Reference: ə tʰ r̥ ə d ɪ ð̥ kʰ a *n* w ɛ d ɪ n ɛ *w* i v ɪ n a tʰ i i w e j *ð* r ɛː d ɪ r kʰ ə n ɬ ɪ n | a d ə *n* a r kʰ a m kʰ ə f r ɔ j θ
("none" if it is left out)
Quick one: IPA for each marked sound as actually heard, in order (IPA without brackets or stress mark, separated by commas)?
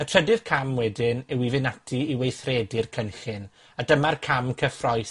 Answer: m, w, θ, m